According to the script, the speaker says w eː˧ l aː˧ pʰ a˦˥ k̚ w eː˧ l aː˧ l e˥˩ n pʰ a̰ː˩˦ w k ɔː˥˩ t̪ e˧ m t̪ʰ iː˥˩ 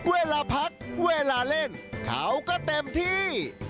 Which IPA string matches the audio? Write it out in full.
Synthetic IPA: w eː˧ l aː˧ pʰ a˦˥ k̚ w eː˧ l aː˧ l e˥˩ n kʰ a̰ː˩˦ w k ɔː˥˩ t̪ e˧ m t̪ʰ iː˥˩

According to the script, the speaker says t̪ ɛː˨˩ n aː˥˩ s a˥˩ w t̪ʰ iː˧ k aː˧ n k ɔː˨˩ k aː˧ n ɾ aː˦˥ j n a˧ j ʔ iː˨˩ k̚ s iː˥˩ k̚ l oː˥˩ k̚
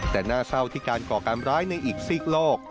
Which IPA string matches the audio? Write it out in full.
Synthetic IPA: t̪ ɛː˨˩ n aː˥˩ s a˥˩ w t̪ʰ iː˥˩ k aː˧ n k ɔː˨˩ k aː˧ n ɾ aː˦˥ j n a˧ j ʔ iː˨˩ k̚ s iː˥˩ k̚ l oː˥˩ k̚

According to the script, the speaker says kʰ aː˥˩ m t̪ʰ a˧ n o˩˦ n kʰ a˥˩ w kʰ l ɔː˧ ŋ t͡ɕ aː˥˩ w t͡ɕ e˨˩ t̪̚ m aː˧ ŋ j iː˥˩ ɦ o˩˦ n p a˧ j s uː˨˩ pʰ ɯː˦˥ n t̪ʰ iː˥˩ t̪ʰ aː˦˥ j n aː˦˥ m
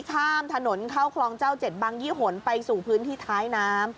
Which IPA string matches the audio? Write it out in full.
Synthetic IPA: kʰ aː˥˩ m t̪ʰ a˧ n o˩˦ n kʰ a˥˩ w kʰ l ɔː˧ ŋ t͡ɕ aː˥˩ w t͡ɕ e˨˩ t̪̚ b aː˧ ŋ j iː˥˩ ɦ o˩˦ n p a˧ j s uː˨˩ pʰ ɯː˦˥ n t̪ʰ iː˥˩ t̪ʰ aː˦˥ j n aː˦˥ m

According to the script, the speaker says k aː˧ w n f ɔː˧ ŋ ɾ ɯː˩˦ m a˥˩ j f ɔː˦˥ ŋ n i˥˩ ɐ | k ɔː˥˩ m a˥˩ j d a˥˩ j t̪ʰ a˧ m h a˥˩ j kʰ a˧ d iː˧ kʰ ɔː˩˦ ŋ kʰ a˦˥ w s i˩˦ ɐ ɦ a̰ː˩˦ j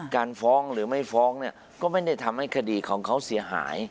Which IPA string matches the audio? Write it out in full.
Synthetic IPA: k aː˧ n f ɔː˦˥ ŋ ɾ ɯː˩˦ m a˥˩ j f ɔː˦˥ ŋ n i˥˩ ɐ | k ɔː˥˩ m a˥˩ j d a˥˩ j t̪ʰ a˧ m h a˥˩ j kʰ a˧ d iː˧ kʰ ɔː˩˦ ŋ kʰ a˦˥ w s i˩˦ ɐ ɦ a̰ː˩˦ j

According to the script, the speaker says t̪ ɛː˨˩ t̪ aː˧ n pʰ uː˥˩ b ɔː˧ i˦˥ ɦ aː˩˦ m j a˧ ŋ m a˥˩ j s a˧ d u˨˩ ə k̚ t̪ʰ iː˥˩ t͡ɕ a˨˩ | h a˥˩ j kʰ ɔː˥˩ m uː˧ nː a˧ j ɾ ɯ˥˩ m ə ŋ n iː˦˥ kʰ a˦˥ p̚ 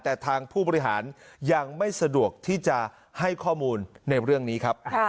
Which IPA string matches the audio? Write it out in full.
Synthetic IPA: t̪ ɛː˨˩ t̪ʰ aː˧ ŋ pʰ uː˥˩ b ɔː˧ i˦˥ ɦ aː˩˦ n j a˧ ŋ m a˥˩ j s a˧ d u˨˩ ə k̚ t̪ʰ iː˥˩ t͡ɕ a˨˩ | h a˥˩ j kʰ ɔː˥˩ m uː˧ nː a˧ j ɾ ɯ˥˩ ə ŋ n iː˦˥ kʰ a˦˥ p̚

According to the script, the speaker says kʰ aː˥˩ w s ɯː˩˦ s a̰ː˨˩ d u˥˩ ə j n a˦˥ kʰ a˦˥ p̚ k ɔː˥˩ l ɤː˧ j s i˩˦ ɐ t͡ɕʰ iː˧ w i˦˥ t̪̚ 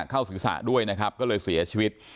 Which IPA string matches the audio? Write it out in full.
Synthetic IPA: kʰ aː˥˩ w s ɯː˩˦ s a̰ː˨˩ d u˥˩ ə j n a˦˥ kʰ a˦˥ p̚ k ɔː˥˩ l ɤː˧ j s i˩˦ ɐ t͡ɕʰ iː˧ w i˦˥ t̪̚

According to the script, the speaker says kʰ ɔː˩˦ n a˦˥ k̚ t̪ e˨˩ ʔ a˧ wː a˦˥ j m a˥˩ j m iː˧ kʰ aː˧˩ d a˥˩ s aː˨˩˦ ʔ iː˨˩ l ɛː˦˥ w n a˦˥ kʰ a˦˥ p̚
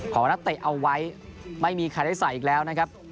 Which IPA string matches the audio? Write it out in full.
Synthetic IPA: kʰ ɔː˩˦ n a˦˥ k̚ t̪ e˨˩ ʔ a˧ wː a˦˥ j m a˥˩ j m iː˧ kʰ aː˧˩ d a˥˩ s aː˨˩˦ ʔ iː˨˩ l ɛː˦˥ w n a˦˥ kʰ a˦˥ p̚

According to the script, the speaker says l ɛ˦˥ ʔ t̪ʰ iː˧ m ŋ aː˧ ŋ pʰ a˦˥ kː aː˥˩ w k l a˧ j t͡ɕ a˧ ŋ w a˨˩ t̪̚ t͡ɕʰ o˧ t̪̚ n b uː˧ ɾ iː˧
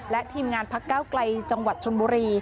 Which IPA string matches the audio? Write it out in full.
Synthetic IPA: l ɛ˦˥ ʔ t̪ʰ iː˧ m ŋ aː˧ n pʰ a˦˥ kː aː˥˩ w k l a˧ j t͡ɕ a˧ ŋ w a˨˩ t̪̚ t͡ɕʰ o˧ n b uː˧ ɾ iː˧

